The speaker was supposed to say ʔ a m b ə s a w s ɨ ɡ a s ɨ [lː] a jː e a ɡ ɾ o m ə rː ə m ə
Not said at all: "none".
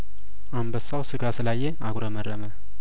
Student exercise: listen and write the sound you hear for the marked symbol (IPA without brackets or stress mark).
l